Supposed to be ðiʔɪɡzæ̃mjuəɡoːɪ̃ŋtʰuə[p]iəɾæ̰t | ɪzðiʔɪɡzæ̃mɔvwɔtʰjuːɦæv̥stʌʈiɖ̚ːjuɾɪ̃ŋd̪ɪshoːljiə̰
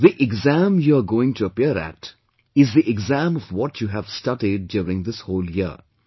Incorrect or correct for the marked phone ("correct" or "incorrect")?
correct